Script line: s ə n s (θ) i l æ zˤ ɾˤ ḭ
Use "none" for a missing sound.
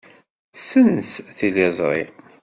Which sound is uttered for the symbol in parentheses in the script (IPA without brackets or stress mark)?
θ